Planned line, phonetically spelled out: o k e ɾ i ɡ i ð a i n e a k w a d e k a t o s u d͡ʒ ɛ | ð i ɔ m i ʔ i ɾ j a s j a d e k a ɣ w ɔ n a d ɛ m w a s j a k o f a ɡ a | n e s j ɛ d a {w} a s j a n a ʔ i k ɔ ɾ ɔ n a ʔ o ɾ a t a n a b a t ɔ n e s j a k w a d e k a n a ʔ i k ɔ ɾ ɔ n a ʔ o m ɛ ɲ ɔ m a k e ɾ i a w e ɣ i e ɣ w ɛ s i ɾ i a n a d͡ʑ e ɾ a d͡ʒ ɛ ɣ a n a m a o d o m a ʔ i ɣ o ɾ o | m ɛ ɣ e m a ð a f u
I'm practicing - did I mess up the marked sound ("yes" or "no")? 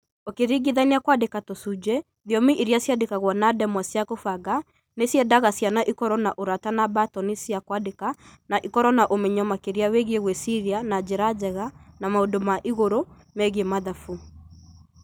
yes